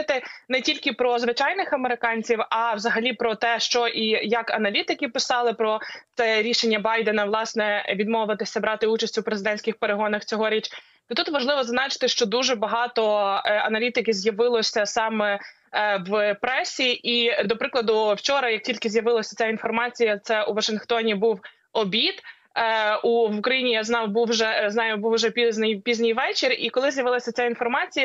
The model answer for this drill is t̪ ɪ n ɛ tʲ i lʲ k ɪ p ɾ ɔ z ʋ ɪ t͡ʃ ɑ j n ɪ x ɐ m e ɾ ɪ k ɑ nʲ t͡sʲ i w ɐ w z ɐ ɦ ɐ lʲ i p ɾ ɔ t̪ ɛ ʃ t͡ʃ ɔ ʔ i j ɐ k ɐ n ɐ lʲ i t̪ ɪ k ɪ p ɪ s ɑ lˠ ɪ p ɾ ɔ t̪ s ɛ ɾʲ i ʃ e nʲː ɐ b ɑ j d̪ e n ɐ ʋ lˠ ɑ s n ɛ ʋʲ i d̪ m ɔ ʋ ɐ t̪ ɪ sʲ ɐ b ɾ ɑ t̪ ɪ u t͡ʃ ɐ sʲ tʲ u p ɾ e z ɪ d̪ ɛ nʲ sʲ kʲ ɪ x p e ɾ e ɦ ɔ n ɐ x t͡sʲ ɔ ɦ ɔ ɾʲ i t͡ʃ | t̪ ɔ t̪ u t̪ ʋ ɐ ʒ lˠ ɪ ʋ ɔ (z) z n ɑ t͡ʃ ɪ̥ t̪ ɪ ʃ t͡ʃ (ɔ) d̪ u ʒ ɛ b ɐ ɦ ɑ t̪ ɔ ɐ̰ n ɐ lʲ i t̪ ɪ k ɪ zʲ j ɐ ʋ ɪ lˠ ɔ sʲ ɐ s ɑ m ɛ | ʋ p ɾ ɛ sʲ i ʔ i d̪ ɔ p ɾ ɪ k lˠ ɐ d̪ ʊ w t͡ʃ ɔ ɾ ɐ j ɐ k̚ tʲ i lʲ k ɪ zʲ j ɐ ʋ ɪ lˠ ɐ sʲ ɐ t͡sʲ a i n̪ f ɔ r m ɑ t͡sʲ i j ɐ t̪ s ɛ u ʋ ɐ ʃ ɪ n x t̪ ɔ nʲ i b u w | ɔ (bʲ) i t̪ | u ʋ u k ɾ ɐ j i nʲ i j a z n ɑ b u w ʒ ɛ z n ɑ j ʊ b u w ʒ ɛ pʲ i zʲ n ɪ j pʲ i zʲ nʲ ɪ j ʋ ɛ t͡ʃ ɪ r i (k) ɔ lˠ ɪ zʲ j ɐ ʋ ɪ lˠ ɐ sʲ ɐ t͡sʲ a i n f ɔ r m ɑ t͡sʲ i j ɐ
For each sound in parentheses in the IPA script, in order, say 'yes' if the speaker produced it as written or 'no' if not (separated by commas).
yes, yes, yes, yes